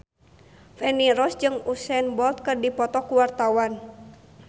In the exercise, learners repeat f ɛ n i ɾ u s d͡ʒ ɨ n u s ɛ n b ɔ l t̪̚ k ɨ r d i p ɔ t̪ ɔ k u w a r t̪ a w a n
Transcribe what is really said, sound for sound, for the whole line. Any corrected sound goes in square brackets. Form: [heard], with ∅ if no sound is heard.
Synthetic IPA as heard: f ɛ n i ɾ [ɔ] s d͡ʒ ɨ [ŋ] u s ɛ n b ɔ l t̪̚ k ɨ r d i p ɔ t̪ ɔ k u w a r t̪ a w a n